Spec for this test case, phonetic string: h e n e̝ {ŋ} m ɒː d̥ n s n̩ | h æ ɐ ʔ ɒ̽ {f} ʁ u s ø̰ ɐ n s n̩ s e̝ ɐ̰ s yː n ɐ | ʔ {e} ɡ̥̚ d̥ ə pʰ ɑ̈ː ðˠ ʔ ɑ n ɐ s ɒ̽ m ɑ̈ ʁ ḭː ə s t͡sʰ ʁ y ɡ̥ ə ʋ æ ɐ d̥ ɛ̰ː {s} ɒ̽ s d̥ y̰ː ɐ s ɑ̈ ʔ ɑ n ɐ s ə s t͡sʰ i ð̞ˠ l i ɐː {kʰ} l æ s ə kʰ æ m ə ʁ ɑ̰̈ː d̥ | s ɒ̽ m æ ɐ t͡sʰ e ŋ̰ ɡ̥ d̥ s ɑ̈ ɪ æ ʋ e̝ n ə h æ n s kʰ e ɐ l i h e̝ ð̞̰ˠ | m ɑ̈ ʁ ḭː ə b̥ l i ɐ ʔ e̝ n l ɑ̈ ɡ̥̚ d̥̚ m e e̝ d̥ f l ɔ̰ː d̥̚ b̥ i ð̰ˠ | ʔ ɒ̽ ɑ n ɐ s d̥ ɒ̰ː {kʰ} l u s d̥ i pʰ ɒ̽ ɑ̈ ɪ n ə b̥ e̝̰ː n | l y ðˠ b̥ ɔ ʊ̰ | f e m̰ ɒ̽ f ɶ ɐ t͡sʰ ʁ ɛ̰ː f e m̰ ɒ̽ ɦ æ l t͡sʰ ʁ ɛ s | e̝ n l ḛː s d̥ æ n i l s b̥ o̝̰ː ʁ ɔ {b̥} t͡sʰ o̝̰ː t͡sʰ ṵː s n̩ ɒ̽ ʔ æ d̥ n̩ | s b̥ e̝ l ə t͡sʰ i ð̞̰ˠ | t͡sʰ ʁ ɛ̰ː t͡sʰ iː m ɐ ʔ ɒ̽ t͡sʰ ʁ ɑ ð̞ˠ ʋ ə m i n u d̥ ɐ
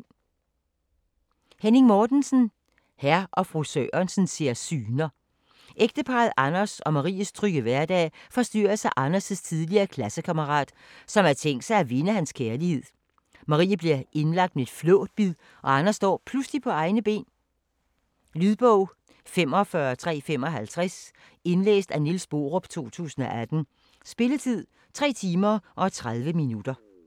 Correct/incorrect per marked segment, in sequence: correct, correct, correct, incorrect, correct, incorrect, correct

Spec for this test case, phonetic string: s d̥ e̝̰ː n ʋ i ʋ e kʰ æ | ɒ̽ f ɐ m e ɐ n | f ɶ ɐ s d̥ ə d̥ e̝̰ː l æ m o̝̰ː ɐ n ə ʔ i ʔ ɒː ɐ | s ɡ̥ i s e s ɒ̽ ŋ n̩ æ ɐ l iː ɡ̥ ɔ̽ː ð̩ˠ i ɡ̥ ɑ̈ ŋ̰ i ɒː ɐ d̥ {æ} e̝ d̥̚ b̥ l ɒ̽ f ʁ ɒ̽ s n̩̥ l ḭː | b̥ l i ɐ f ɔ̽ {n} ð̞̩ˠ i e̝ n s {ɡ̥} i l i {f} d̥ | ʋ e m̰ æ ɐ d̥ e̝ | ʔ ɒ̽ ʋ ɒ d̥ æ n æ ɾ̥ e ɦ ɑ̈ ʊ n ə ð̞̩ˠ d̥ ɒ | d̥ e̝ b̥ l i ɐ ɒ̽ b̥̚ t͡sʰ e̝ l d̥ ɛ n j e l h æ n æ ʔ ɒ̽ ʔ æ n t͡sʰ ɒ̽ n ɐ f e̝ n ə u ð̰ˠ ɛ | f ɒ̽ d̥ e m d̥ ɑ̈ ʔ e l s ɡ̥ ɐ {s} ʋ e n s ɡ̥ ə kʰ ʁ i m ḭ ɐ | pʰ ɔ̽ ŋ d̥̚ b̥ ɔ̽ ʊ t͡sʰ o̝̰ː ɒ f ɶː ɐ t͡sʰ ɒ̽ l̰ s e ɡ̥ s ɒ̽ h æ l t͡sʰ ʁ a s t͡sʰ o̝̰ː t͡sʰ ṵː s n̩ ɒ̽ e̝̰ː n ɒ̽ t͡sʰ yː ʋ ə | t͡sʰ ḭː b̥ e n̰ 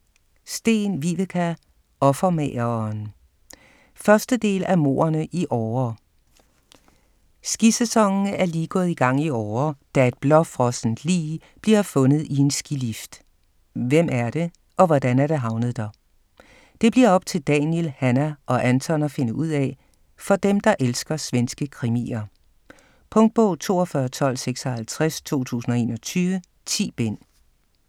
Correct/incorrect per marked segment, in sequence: correct, correct, correct, correct, correct

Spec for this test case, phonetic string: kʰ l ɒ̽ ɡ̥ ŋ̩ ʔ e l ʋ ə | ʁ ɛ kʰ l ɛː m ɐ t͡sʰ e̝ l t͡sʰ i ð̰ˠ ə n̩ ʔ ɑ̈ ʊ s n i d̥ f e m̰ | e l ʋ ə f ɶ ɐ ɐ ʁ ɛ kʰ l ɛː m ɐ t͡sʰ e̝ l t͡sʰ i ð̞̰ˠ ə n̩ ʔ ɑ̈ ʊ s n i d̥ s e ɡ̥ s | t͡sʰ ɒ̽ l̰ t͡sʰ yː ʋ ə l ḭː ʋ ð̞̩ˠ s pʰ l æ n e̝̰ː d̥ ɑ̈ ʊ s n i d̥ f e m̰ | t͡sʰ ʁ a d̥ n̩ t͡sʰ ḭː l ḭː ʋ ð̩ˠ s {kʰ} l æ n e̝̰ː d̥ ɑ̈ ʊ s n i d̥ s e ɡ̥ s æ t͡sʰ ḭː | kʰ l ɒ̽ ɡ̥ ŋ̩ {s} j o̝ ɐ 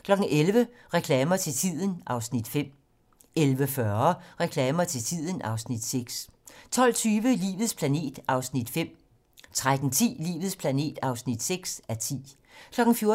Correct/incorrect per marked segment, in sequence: incorrect, incorrect

